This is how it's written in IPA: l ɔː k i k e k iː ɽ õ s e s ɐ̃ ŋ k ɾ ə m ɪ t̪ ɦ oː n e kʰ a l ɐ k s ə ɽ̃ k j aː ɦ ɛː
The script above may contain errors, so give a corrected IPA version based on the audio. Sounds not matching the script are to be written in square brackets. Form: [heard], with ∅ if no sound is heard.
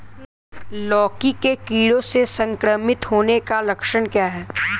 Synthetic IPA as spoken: l ɔː k i k e k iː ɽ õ s e s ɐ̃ ŋ k ɾ ə m ɪ t̪ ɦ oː n e [k] a l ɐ k [ʃ] ə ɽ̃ k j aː ɦ ɛː